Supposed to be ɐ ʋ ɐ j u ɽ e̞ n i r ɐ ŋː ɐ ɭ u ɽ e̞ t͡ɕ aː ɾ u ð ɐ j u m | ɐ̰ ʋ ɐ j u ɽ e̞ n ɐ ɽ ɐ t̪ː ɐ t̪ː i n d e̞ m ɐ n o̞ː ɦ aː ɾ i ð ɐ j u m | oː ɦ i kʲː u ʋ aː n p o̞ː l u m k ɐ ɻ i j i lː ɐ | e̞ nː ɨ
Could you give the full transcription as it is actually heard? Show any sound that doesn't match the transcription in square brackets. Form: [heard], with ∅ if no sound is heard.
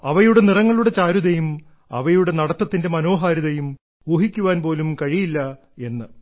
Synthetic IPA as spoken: ɐ ʋ ɐ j u ɽ e̞ n i r ɐ ŋː ɐ ɭ u ɽ e̞ t͡ɕ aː ɾ u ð ɐ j u m | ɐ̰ ʋ ɐ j u ɽ e̞ n ɐ ɽ ɐ t̪ː ɐ t̪ː i n d e̞ m ɐ n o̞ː ɦ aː ɾ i ð ɐ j u m | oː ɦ i kʲː u ʋ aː n p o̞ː l u m k ɐ ɻ i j i lː ɐ | e̞ nː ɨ